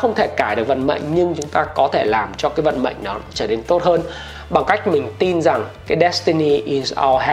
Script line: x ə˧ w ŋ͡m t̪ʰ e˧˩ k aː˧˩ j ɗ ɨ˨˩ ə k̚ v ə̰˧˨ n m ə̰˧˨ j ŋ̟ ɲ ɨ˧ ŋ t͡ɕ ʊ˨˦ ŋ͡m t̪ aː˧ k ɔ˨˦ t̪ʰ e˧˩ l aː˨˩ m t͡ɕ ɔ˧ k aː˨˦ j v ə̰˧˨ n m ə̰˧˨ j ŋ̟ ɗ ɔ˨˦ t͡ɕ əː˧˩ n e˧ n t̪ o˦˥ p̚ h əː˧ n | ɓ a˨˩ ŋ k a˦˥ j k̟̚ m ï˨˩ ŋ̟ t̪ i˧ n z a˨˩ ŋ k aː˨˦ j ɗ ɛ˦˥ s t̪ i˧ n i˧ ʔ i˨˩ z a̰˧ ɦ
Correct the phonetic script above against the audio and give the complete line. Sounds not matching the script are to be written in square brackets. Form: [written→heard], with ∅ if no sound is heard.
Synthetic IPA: x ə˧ w ŋ͡m t̪ʰ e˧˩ k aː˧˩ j ɗ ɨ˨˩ ə k̚ v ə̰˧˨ n m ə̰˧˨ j ŋ̟ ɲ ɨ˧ ŋ t͡ɕ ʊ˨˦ ŋ͡m t̪ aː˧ k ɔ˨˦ t̪ʰ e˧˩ l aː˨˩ m t͡ɕ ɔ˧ k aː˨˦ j v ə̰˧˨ n m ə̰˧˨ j ŋ̟ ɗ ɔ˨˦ t͡ɕ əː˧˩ n e˧ n t̪ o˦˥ [p̚→t̚] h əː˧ n | ɓ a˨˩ ŋ k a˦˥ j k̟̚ m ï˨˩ ŋ̟ t̪ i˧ n z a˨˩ ŋ k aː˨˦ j ɗ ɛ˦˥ s t̪ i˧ n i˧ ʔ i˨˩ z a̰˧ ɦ